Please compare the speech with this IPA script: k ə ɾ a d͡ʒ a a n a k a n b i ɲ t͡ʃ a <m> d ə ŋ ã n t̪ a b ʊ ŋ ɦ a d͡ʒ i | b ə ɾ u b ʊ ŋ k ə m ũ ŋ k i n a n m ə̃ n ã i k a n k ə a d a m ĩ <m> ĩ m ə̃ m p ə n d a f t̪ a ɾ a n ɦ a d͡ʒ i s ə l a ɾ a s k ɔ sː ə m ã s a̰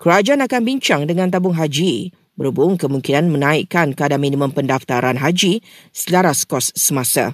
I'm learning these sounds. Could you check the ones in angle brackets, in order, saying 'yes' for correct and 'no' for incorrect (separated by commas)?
no, no